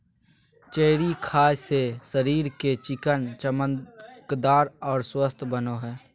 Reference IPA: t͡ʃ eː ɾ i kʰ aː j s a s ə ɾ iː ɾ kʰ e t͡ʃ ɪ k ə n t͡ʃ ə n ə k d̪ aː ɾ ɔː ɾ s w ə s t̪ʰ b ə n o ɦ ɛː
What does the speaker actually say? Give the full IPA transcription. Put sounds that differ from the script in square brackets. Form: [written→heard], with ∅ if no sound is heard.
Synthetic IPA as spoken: t͡ʃ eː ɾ i kʰ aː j s [a→e] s ə ɾ iː ɾ [kʰ→k] e t͡ʃ ɪ k ə n t͡ʃ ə [n→m] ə k d̪ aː ɾ ɔː ɾ s w ə s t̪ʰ b ə n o ɦ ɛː